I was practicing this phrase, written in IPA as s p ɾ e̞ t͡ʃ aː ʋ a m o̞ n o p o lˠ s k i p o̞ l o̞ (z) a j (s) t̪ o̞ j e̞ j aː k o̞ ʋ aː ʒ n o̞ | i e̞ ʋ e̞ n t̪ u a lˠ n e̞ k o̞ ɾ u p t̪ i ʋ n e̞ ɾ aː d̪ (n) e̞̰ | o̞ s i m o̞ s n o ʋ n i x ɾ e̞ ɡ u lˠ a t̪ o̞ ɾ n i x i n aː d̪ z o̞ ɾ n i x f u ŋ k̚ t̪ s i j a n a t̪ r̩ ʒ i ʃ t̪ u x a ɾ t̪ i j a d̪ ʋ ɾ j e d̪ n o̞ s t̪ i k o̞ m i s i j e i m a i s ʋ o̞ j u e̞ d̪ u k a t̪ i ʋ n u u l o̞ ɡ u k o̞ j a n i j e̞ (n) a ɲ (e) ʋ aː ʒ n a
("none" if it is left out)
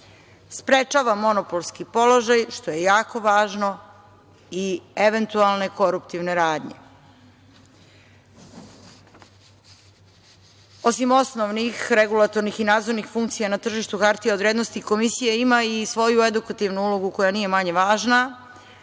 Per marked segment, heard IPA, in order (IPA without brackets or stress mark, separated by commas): ʒ, ʃ, ɲ, m, e